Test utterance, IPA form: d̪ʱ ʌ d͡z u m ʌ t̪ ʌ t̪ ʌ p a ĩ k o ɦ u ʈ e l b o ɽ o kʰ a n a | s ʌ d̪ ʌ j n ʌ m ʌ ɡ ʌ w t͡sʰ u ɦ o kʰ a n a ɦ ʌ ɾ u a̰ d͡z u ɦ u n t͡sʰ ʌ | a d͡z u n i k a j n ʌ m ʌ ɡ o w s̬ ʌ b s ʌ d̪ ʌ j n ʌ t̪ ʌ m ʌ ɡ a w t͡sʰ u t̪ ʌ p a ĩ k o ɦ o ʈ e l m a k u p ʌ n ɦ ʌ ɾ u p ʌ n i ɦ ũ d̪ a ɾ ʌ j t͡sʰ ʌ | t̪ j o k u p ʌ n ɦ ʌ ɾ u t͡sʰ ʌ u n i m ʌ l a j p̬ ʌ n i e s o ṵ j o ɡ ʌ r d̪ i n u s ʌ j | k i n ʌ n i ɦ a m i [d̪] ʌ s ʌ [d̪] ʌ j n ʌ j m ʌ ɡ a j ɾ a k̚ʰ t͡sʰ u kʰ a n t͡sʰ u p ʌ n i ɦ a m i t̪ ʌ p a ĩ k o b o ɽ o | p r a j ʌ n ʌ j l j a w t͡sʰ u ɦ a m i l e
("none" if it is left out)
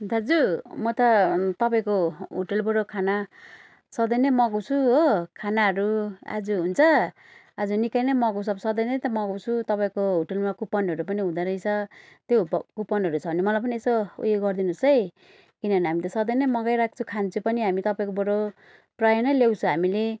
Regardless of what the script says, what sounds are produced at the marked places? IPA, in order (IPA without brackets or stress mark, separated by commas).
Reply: t̪, d̪